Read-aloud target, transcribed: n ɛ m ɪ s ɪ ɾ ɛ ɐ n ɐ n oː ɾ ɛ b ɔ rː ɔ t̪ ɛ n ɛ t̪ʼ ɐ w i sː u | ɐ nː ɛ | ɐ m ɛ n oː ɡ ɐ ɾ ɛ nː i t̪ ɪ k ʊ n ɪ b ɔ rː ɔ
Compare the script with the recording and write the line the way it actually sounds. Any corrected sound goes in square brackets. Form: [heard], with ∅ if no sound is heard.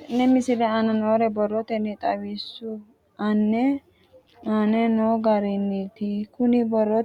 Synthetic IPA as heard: n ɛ m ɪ s ɪ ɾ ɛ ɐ n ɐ n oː ɾ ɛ b ɔ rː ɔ t̪ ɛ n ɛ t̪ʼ ɐ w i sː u | ɐ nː ɛ | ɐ [n] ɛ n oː ɡ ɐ ɾ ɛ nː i t̪ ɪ k ʊ n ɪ b ɔ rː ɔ